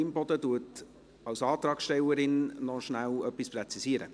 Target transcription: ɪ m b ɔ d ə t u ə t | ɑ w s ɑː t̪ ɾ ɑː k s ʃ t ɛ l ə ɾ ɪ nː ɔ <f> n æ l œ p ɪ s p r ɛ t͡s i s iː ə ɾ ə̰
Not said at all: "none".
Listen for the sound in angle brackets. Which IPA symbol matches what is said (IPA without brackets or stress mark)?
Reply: ʃ